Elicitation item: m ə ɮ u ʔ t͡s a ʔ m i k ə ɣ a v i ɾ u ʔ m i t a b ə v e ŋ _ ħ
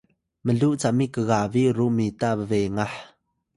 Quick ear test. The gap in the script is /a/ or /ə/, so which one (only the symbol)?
a